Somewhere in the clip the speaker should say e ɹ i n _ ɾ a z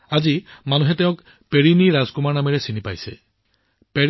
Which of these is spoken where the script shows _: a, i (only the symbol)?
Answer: i